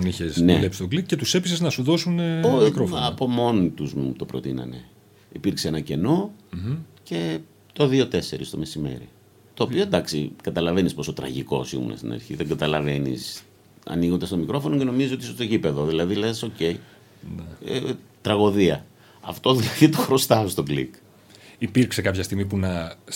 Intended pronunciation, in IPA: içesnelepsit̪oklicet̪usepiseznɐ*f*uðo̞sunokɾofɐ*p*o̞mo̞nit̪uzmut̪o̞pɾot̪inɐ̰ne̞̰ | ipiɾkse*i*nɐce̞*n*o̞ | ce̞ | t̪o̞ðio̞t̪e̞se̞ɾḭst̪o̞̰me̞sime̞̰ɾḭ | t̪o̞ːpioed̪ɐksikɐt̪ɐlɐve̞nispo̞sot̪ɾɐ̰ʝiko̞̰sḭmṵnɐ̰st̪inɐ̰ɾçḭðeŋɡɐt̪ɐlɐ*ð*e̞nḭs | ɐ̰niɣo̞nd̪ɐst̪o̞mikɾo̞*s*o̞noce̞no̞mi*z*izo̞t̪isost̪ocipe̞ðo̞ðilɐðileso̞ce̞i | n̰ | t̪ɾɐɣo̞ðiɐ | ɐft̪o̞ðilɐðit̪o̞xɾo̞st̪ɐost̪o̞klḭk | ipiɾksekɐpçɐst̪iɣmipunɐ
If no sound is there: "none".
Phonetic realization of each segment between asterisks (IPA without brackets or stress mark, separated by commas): s, p, e, n, v, f, z